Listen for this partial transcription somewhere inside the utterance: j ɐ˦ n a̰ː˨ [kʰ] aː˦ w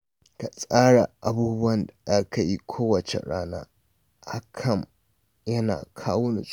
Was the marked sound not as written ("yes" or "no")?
no